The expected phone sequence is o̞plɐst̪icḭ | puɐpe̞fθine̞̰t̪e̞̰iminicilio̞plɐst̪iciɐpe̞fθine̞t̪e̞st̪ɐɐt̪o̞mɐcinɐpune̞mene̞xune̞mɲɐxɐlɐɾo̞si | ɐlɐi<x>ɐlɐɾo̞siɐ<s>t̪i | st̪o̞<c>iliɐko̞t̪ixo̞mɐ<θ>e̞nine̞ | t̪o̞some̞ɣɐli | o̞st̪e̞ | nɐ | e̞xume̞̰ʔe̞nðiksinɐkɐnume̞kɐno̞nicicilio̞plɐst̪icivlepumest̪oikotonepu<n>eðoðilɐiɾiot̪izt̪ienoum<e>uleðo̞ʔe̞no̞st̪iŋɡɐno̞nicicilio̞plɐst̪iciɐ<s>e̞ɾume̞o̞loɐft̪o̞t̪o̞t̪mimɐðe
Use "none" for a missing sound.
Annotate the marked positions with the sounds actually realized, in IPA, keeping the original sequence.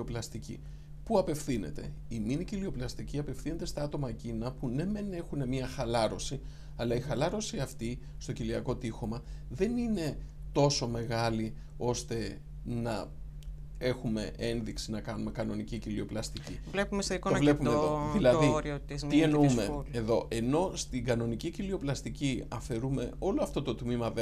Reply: x, f, c, ð, m, e, f

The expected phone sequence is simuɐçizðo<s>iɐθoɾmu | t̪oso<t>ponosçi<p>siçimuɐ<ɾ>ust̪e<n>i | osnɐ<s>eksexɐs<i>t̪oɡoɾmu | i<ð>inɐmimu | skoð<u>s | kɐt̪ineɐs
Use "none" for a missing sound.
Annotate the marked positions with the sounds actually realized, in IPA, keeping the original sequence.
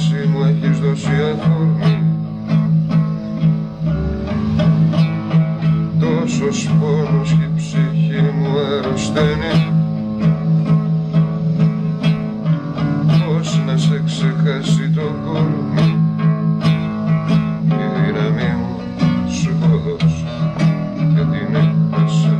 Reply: s, s, p, ɾ, n, s, i, ð, o

